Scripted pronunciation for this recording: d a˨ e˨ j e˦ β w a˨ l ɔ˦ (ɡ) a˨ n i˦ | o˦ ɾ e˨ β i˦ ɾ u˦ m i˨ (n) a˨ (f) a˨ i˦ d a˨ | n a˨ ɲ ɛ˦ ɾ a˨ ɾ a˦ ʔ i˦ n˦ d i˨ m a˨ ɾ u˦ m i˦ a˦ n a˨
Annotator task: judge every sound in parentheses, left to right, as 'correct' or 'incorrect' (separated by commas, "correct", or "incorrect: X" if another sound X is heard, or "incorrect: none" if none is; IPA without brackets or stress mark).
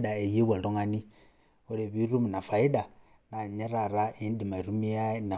incorrect: ŋ, correct, correct